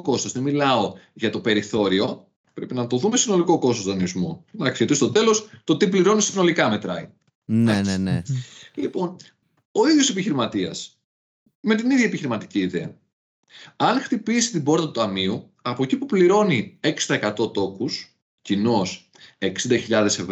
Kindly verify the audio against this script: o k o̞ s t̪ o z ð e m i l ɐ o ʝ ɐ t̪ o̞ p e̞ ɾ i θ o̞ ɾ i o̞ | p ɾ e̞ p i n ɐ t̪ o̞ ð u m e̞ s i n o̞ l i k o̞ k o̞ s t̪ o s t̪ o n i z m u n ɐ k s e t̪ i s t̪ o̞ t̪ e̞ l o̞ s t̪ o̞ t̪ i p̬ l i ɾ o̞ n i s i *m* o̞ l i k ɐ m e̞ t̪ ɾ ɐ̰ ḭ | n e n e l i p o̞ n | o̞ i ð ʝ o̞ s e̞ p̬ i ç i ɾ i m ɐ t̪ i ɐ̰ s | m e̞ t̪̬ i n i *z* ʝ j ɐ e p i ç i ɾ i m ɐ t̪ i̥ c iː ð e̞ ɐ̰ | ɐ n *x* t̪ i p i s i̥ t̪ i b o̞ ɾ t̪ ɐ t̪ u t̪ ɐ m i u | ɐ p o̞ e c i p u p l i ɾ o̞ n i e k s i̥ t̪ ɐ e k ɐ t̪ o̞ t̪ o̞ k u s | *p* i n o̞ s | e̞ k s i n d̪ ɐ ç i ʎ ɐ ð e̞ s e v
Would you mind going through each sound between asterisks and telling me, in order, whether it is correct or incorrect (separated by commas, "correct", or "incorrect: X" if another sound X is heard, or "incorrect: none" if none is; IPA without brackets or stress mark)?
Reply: incorrect: n, incorrect: ð, correct, incorrect: c